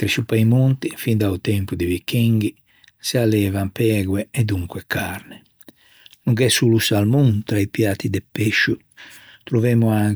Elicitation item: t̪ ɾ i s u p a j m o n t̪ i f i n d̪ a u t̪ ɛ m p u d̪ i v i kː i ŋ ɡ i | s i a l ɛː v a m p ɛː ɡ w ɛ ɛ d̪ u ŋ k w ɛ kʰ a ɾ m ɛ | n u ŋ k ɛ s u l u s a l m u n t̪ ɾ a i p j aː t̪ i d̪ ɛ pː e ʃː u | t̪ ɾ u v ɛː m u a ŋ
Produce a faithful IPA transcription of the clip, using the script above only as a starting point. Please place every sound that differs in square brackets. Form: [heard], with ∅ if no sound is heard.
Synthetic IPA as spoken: t̪ ɾ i s u p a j m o n t̪ i f i n d̪ a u t̪ ɛ m p u d̪ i v i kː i ŋ ɡ i | s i a l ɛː v a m p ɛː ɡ w ɛ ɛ d̪ u ŋ k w ɛ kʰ a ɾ [n] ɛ | n u ŋ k ɛ s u l u s a l m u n t̪ ɾ a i p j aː t̪ i d̪ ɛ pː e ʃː u | t̪ ɾ u v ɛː m u a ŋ